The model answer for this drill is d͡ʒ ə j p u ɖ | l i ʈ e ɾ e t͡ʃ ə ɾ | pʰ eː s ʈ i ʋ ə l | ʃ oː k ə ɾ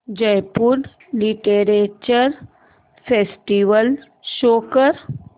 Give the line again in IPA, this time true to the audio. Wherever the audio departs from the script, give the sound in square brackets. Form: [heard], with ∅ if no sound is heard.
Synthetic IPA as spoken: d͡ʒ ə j p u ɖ | l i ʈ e ɾ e t͡ʃ ə ɾ | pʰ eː s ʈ i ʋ ə l | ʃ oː k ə ɾ